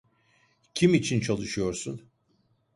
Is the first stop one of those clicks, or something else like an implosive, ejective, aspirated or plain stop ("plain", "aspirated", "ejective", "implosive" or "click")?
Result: aspirated